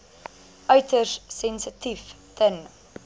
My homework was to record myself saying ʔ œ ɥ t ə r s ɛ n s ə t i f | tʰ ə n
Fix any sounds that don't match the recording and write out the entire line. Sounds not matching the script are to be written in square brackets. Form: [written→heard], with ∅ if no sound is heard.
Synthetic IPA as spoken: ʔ œ ɥ t ə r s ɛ n s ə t i f | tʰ ə n

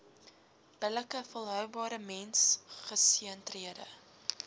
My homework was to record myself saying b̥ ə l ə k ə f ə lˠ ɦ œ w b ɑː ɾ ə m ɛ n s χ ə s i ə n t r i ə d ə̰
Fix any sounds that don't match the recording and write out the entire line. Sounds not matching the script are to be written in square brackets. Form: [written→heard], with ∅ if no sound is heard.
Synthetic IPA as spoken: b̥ ə l ə k ə f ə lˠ ɦ œ w b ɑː ɾ ə m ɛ n s χ ə s i ə n t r i ə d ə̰

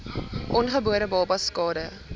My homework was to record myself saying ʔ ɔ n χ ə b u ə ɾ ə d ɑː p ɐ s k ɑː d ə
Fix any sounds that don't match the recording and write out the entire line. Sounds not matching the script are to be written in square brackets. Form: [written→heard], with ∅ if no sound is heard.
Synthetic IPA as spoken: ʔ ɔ n χ ə b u ə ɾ ə [d→b] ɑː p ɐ s k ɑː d ə

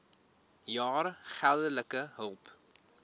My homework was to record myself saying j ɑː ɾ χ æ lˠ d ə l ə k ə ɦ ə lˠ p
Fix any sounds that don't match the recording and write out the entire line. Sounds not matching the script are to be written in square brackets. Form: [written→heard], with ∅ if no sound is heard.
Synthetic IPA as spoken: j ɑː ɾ χ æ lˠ d ə l ə k ə ɦ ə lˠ p

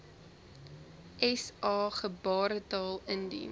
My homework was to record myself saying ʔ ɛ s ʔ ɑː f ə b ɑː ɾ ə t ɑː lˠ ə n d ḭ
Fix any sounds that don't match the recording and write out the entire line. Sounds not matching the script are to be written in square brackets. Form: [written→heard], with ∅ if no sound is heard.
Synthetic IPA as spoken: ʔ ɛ s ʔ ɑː [f→χ] ə b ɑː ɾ ə t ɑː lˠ ə n d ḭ

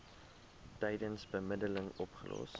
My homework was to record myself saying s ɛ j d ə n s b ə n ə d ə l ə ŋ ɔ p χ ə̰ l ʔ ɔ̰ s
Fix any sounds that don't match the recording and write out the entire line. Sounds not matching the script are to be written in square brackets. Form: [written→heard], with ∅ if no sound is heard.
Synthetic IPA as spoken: [s→t] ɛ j d ə n s b ə [n→m] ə d ə l ə ŋ ɔ p χ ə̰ l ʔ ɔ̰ s

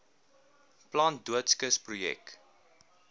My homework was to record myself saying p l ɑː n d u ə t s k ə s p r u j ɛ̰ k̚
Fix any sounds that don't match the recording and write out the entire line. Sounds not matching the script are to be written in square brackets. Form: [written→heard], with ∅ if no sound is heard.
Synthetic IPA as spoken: p l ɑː n d u ə t s k ə s p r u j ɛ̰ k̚

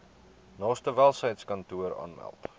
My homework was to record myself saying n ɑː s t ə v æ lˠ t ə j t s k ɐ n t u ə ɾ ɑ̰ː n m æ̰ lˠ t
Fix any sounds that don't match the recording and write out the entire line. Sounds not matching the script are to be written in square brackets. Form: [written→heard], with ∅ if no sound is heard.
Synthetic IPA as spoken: n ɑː s t ə v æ lˠ [t→s] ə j t s k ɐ n t u ə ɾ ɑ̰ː n m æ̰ lˠ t

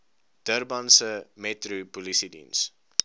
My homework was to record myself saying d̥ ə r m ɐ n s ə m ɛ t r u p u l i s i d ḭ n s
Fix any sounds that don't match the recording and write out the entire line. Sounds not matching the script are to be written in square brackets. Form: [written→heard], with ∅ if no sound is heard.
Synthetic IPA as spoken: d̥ ə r [m→b] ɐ n s ə m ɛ t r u p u l i s i d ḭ n s

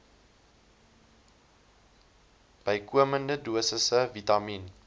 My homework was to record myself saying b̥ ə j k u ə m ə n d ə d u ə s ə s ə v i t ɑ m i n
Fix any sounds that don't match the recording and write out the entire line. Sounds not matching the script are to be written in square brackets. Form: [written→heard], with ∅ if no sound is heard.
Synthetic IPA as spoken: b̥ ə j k u ə m ə n d ə d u ə s ə s ə v i t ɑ m i n

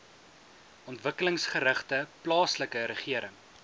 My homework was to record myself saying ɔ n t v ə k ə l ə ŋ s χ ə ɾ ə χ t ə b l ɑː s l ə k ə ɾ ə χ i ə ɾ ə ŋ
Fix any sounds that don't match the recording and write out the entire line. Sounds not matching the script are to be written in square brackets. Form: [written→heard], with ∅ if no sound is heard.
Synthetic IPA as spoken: ɔ n t v ə k ə l ə ŋ s χ ə ɾ ə χ t ə [b→p] l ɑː s l ə k ə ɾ ə χ i ə ɾ ə ŋ

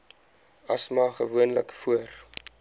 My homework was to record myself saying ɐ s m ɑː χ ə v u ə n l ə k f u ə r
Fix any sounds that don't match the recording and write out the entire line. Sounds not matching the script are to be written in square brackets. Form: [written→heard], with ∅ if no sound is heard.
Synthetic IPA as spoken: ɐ s m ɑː χ ə v u ə n l ə k f u ə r

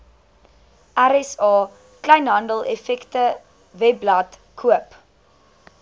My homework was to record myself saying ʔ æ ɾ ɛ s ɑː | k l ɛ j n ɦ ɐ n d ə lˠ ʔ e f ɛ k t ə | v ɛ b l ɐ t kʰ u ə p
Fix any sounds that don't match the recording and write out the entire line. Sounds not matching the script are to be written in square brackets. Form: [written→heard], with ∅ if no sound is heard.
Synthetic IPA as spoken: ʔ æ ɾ ɛ s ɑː | k l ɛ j n ɦ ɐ n d ə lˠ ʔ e f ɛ k t ə | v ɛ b l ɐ t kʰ u ə p

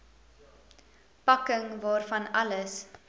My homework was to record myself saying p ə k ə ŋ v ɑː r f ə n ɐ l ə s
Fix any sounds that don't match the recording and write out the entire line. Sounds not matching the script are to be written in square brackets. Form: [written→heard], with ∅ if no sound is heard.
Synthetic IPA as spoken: p [ə→ɐ] k ə ŋ v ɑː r f [ə→ɐ] n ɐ l ə s

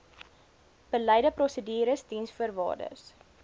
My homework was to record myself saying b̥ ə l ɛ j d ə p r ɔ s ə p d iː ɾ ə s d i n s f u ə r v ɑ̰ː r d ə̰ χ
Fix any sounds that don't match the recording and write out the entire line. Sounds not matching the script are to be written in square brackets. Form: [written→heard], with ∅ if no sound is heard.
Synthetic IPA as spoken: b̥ ə l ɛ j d ə p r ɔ s ə [p→∅] d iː ɾ ə s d i n s f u ə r v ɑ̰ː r d ə̰ [χ→s]

